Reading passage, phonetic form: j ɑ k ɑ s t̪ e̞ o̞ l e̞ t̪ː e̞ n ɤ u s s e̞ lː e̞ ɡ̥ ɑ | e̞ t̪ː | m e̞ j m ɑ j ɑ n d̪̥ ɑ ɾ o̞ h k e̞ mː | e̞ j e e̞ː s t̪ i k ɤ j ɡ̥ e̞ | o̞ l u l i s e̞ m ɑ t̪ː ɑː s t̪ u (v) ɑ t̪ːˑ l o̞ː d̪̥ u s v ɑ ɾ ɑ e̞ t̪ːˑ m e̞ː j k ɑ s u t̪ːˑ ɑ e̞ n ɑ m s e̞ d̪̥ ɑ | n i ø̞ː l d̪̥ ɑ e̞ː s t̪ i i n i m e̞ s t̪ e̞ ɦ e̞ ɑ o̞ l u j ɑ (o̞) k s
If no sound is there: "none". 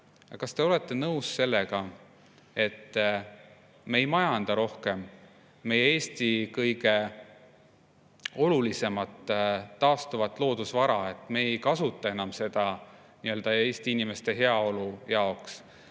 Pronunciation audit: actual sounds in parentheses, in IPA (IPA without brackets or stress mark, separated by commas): v, o̞